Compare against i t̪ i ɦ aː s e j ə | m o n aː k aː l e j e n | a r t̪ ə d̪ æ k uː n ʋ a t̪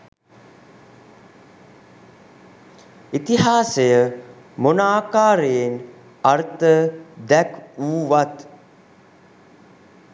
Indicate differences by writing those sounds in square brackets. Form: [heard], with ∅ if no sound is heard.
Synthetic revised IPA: i t̪ i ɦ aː s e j ə | m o n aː k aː [ɾ] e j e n | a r t̪ ə d̪ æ k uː [∅] ʋ a t̪